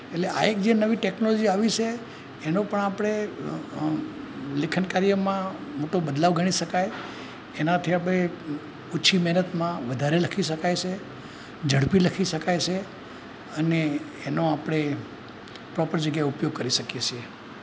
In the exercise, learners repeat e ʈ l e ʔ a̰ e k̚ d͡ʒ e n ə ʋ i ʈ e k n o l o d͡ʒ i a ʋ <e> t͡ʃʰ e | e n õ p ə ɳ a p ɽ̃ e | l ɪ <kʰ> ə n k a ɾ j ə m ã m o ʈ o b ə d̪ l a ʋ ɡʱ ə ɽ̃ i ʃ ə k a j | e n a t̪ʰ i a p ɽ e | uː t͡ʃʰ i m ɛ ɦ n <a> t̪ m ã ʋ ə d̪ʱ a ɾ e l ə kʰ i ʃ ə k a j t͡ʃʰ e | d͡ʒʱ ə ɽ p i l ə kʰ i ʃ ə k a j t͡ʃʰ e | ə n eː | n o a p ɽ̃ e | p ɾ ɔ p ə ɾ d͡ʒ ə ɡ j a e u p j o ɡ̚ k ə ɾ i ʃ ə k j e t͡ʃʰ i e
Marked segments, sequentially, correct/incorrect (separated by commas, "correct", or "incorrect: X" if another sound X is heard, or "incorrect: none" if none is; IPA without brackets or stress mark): incorrect: i, correct, incorrect: ə